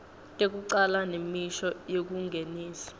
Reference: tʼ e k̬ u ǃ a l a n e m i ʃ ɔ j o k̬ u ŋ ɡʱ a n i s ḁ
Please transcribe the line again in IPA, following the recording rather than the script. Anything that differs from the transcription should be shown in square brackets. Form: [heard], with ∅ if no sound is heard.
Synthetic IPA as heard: tʼ e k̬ u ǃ a l a n e m i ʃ ɔ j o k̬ u ŋ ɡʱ [e] n [iː] s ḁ